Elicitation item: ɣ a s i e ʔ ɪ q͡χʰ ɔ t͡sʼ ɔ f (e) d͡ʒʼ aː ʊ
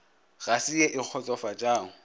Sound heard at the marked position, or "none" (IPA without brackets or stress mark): a